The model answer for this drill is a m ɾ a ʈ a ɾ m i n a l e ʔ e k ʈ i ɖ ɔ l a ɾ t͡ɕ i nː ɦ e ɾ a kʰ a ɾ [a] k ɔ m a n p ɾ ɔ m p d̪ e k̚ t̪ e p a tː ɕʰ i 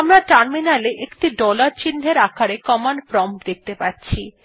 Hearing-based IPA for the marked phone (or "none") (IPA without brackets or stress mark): e